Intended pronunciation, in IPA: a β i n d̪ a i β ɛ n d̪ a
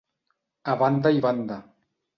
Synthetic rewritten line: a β a n d̪ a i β a n d̪ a